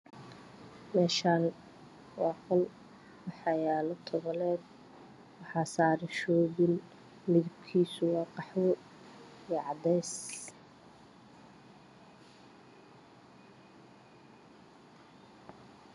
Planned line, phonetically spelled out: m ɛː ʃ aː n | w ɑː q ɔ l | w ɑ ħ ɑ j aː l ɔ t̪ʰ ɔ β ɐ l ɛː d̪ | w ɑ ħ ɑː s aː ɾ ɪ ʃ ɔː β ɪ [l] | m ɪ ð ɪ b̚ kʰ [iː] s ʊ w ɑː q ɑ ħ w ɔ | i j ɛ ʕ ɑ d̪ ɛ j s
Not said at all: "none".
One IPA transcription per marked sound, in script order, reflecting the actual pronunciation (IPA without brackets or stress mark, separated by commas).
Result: l, iː